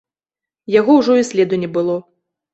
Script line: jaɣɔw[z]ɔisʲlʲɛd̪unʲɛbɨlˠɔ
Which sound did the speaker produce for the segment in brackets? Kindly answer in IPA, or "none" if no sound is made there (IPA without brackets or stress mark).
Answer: ʐ